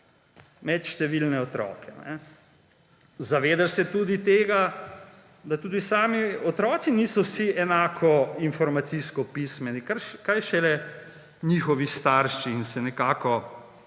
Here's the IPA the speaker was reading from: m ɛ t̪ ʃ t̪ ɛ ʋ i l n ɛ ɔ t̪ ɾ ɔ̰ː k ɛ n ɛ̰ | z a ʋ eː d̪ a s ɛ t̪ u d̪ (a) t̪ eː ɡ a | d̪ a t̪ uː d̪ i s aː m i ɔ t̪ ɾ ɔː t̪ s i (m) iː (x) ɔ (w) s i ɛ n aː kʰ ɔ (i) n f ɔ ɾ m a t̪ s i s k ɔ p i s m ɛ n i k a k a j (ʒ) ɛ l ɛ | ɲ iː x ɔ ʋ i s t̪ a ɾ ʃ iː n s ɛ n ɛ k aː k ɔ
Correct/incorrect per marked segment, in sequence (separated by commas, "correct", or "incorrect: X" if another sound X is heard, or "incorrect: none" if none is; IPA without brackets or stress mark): incorrect: i, incorrect: n, incorrect: s, correct, correct, incorrect: ʃ